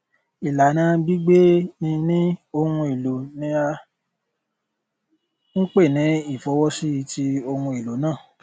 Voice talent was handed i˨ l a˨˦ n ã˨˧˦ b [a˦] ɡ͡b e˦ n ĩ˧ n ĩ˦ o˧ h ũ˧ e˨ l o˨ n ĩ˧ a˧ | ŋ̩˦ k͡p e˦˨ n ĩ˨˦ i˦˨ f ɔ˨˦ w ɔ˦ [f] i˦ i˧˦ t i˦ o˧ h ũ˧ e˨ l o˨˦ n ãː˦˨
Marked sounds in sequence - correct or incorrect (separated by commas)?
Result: incorrect, incorrect